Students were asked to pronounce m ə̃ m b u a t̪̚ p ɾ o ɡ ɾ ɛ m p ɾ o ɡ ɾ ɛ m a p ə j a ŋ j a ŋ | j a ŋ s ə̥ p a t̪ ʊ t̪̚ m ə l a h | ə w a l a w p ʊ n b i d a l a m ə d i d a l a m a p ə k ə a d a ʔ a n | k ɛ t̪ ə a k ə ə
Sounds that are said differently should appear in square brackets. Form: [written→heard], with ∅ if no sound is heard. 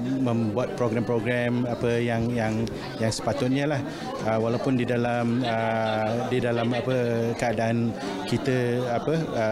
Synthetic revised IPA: m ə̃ m b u a t̪̚ p ɾ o ɡ ɾ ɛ m p ɾ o ɡ ɾ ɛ m a p ə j a ŋ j a ŋ | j a ŋ s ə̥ p a t̪ ʊ t̪̚ [m→ɲ] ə l a h | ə w a l a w p ʊ n [b→d] i d a l a m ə d i d a l a m a p ə k ə a d a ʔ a n | k [ɛ→i] t̪ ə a [k→p] ə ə